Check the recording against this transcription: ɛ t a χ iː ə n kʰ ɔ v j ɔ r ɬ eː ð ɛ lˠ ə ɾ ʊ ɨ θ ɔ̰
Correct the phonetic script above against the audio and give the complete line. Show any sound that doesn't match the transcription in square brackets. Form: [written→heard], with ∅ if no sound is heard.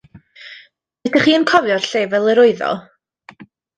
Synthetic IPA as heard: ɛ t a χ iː ə n kʰ ɔ v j ɔ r ɬ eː [ð→v] ɛ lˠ ə ɾ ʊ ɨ [θ→ð] ɔ̰